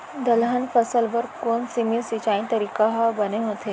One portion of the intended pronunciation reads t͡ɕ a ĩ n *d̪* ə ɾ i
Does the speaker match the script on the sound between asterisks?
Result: no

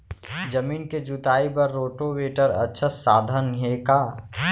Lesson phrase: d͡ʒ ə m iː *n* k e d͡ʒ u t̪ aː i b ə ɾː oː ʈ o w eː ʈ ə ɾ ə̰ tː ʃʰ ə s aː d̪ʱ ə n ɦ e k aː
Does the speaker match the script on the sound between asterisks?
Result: yes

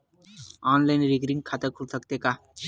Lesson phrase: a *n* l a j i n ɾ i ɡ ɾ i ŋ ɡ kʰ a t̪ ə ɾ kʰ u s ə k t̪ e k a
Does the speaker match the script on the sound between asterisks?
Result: yes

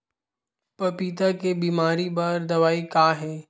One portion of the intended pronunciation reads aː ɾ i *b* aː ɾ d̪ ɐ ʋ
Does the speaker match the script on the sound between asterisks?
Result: yes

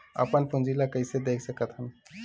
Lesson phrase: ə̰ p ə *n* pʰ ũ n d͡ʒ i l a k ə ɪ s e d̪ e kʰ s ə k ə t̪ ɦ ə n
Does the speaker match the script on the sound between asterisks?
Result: yes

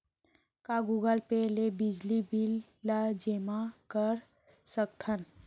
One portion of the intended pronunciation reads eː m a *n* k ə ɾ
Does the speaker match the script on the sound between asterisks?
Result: no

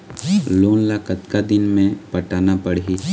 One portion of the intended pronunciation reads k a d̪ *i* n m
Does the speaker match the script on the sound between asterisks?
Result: no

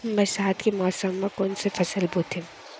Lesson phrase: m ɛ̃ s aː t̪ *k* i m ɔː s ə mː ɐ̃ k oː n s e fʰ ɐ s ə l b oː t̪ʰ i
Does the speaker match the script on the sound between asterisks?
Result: yes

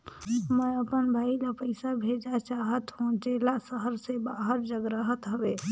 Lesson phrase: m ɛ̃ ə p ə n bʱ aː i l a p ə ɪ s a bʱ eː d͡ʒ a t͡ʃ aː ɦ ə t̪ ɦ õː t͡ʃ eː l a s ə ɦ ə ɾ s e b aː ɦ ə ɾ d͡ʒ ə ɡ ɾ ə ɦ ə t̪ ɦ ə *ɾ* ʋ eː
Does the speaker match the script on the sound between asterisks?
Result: no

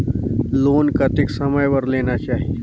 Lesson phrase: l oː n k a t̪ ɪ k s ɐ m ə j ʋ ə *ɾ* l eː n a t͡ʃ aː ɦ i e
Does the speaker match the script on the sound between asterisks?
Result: yes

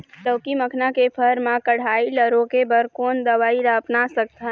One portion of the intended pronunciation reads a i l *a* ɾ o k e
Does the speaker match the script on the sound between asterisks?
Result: no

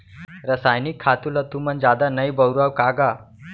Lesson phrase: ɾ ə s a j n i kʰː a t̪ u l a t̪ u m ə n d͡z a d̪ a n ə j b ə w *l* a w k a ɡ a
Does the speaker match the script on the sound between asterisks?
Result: no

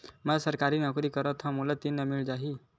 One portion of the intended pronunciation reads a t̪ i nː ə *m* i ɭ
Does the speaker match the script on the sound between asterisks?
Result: yes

